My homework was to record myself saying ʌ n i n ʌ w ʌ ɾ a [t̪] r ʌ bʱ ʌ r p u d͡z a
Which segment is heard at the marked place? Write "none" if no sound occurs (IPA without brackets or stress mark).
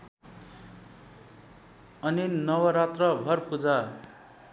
t̪